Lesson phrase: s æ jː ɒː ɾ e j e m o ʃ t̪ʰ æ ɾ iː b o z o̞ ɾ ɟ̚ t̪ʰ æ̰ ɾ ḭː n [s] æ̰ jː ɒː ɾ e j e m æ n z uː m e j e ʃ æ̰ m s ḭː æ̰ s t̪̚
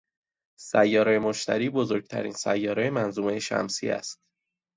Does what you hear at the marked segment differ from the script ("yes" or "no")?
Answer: no